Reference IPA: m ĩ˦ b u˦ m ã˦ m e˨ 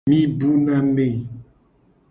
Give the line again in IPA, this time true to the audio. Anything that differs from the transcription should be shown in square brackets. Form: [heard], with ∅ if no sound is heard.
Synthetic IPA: m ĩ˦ b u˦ [n] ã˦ m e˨